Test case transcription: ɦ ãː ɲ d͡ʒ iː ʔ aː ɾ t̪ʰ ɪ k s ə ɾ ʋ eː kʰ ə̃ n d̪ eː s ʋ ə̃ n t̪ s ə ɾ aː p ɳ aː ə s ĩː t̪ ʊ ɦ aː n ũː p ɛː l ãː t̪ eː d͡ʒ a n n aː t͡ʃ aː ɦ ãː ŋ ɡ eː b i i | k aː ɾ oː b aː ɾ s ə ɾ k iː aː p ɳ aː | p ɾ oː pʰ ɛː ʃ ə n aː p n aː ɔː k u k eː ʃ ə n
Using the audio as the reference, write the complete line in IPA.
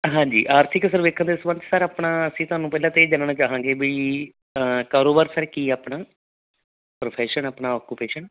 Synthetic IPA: ɦ ãː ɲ d͡ʒ iː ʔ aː ɾ t̪ʰ ɪ k s ə ɾ ʋ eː kʰ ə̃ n d̪ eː s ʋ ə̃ n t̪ s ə ɾ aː p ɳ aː ə s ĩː t̪ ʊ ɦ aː n ũː p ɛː l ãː t̪ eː d͡ʒ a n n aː t͡ʃ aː ɦ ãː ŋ ɡ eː b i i | k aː ɾ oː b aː ɾ s ə ɾ k iː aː p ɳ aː | p ɾ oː pʰ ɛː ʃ ə n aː p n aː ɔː k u p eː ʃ ə n